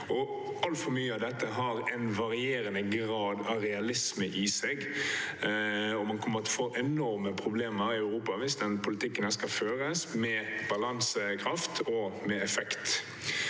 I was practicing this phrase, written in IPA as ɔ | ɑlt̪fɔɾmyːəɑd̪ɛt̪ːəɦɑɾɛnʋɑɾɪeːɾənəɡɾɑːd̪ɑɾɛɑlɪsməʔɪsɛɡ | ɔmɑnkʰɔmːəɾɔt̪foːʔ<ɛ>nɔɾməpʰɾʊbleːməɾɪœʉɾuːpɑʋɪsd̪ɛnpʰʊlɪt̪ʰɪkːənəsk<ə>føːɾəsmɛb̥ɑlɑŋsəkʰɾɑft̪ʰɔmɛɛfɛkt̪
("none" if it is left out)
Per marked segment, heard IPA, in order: ɛ, ɑ

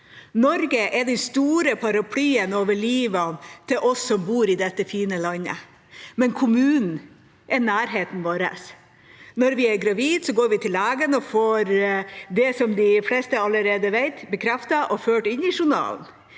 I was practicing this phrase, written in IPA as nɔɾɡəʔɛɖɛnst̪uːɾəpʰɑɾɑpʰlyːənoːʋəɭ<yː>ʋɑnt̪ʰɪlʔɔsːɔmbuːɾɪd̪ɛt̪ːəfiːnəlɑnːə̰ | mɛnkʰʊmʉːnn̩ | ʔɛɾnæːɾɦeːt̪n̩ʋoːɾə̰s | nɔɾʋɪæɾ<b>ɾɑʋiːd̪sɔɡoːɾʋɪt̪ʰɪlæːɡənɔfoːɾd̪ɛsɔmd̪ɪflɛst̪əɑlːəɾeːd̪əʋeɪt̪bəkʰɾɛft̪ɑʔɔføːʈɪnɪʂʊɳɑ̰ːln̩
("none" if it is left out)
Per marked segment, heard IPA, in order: iː, ɡ

